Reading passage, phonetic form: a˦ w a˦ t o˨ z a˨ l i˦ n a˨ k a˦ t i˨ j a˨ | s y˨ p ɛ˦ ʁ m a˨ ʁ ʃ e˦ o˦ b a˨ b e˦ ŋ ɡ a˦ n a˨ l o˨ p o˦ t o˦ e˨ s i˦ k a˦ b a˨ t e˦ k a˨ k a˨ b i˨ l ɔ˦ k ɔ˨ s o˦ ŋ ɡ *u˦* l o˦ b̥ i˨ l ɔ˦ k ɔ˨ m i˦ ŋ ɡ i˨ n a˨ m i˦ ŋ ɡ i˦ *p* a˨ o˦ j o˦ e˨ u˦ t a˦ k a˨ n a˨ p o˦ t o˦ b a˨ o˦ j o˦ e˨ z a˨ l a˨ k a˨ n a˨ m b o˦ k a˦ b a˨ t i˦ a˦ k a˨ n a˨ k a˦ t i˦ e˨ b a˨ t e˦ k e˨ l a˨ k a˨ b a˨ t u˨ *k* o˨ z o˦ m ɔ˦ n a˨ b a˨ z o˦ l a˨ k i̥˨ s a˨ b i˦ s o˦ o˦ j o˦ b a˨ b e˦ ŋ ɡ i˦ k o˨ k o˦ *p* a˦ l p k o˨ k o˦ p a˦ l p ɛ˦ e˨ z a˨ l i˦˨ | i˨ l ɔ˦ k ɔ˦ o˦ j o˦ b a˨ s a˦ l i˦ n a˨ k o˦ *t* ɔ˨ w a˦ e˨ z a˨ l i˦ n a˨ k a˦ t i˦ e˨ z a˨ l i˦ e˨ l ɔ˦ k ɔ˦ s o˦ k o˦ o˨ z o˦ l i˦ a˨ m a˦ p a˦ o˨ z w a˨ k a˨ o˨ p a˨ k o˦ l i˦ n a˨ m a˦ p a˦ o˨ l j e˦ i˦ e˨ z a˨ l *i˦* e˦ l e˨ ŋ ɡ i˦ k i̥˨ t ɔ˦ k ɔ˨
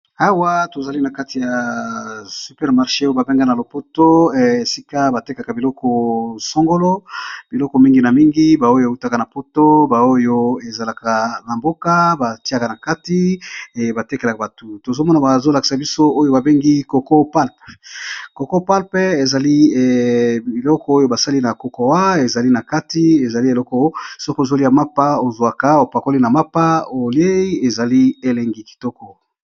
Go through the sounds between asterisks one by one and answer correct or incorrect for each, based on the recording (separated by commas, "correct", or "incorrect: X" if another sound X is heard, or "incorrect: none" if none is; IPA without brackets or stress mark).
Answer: incorrect: o˦, incorrect: b, incorrect: t, correct, incorrect: k, correct